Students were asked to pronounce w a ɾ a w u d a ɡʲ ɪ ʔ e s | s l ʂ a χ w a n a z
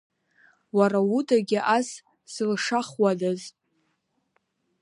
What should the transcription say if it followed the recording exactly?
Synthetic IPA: w a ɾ a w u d a ɡʲ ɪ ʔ a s | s l ʂ a χ w a d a z